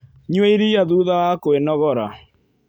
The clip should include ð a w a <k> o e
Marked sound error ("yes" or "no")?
no